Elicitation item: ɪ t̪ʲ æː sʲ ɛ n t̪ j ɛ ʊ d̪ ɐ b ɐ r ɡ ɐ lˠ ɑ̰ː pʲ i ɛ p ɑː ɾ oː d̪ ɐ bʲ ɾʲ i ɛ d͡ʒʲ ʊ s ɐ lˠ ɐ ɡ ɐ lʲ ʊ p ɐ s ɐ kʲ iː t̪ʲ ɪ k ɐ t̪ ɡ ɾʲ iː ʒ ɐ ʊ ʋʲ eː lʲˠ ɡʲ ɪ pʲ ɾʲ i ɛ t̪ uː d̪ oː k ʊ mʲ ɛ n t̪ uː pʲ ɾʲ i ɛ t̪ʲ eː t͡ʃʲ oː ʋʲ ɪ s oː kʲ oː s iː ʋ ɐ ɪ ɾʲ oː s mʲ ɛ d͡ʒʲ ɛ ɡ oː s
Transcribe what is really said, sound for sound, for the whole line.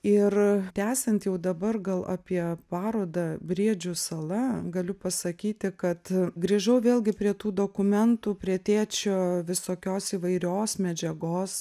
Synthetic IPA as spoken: ɪ t̪ʲ æː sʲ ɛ n t̪ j ɛ ʊ d̪ ɐ b ɐ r ɡ ɐ lˠ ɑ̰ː pʲ i ɛ p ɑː ɾ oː d̪ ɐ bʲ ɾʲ i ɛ d͡ʒʲ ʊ s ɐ lˠ ɐ ɡ ɐ lʲ ʊ p ɐ s ɐ kʲ iː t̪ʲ ɪ k ɐ t̪ ɡ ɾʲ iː ʒ ɐ ʊ ʋʲ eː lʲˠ ɡʲ ɪ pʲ ɾʲ i ɛ t̪ uː d̪ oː k ʊ mʲ ɛ n t̪ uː pʲ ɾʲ i ɛ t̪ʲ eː t͡ʃʲ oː ʋʲ ɪ s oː kʲ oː s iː ʋ ɐ ɪ ɾʲ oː s mʲ ɛ d͡ʒʲ ɛ ɡ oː s

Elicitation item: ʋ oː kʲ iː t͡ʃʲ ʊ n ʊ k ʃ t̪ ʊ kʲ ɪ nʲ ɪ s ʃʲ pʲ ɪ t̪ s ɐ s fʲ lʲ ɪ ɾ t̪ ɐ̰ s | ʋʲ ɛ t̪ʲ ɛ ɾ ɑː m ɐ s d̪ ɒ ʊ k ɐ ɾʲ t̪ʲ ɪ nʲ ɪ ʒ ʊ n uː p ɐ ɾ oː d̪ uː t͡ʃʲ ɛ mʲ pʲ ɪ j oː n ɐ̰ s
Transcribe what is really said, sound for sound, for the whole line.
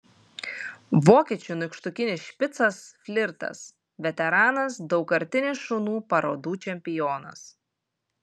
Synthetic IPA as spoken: ʋ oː kʲ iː t͡ʃʲ ʊ n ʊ k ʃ t̪ ʊ kʲ ɪ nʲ ɪ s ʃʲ pʲ ɪ t̪ s ɐ s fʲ lʲ ɪ ɾ t̪ ɐ̰ s | ʋʲ ɛ t̪ʲ ɛ ɾ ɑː n ɐ s d̪ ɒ ʊ k ɐ ɾʲ t̪ʲ ɪ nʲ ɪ ʃ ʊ n uː p ɐ ɾ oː d̪ uː t͡ʃʲ ɛ mʲ pʲ ɪ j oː n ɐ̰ s

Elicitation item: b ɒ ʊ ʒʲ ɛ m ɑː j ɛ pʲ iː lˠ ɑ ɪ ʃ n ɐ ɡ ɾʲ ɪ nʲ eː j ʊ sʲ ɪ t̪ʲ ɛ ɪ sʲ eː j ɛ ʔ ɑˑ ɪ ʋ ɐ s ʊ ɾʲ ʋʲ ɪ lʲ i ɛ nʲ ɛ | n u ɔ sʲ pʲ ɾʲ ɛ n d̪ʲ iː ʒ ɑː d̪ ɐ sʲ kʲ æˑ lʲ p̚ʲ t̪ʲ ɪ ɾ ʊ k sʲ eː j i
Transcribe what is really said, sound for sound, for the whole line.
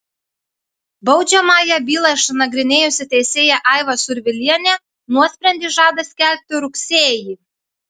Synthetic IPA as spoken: b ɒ ʊ d͡ʒʲ ɛ m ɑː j ɛ bʲ iː lˠ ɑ ɪ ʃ n ɐ ɡ ɾʲ ɪ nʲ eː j ʊ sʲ ɪ t̪ʲ ɛ ɪ sʲ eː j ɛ ʔ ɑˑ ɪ ʋ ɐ s ʊ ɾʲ ʋʲ ɪ lʲ i ɛ nʲ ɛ | n u ɔ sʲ pʲ ɾʲ ɛ n d̪ʲ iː ʒ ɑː d̪ ɐ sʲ kʲ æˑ lʲ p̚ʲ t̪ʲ ɪ ɾ ʊ k sʲ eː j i

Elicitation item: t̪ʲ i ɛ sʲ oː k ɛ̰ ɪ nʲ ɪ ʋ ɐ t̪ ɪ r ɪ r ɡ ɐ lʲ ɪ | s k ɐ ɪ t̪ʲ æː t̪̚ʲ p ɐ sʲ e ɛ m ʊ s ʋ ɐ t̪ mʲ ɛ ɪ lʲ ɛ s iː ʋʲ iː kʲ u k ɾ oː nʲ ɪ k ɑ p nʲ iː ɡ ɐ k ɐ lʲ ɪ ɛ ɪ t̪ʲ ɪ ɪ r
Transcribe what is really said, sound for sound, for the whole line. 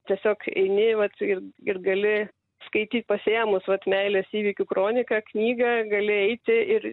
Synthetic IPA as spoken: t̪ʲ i ɛ sʲ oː k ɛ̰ ɪ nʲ ɪ ʋ ɐ t̪ ɪ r ɪ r ɡ ɐ lʲ ɪ | s k ɐ ɪ t̪ʲ iː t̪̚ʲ p ɐ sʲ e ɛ m ʊ s ʋ ɐ t̪ mʲ ɛ ɪ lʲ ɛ s iː ʋʲ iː kʲ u k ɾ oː nʲ ɪ k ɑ k nʲ iː ɡ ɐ ɡ ɐ lʲ ɪ ɛ ɪ t̪ʲ ɪ ɪ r

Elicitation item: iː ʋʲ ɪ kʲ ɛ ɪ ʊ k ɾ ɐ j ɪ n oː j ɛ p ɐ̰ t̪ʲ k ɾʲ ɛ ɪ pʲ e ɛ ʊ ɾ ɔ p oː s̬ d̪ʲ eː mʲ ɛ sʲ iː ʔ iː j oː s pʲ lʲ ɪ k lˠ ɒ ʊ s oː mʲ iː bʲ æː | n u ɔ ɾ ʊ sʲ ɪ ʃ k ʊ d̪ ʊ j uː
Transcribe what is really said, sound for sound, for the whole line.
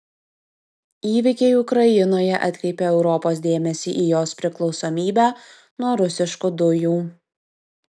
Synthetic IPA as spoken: iː ʋʲ ɪ kʲ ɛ ɪ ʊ k ɾ ɐ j ɪ n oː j ɛ ʔ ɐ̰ t̪ʲ k ɾʲ ɛ ɪ pʲ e ɛ ʊ ɾ ɔ p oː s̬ d̪ʲ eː mʲ ɛ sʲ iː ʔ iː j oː s pʲ ɾʲ ɪ k lˠ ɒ ʊ s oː mʲ iː bʲ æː | n u ɔ ɾ ʊ sʲ ɪ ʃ k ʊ d̪ ʊ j uː

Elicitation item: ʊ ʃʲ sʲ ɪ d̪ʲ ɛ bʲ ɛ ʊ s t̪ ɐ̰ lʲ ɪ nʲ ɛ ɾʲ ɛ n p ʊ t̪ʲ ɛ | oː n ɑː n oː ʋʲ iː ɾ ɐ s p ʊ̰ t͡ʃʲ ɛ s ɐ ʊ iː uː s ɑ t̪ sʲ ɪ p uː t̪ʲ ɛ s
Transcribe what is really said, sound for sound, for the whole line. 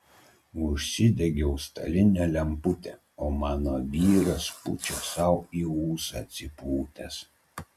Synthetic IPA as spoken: ʊ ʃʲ sʲ ɪ d̪ʲ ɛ ɡʲ ɛ ʊ s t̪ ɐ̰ lʲ ɪ nʲ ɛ lʲ ɛ m p ʊ t̪ʲ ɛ | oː m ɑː n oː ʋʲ iː ɾ ɐ s p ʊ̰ t͡ʃʲ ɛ s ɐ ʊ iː uː s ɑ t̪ sʲ ɪ p uː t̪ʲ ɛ s

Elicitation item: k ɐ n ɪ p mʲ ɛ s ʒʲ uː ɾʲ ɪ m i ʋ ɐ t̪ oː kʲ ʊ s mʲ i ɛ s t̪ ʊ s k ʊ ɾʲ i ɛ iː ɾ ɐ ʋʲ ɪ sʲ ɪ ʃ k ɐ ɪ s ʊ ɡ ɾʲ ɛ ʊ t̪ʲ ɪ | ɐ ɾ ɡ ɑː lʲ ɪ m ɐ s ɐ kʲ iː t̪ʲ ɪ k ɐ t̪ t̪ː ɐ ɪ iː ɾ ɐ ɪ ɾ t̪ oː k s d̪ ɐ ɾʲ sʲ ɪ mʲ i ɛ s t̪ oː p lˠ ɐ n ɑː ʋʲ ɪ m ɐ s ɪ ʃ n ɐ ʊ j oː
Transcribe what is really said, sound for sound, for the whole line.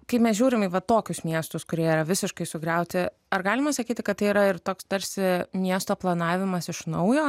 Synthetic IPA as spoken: k ɐ ɪ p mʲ ɛ s ʒʲ uː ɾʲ ɪ m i ʋ ɐ t̪ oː kʲ ʊ s mʲ i ɛ s t̪ ʊ s k ʊ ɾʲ i ɛ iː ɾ ɐ ʋʲ ɪ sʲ ɪ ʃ k ɐ ɪ s ʊ ɡ ɾʲ ɛ ʊ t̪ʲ ɪ | ɐ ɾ ɡ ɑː lʲ ɪ m ɐ s ɐ kʲ iː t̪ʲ ɪ k ɐ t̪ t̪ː ɐ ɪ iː ɾ ɐ ɪ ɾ t̪ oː k s t̪ ɐ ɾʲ sʲ ɪ mʲ i ɛ s t̪ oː p lˠ ɐ n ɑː ʋʲ ɪ m ɐ s ɪ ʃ n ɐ ʊ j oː

